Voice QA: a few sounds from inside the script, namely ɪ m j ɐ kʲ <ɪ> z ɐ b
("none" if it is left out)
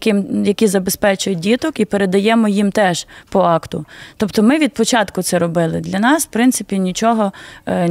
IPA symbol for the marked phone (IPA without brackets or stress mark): i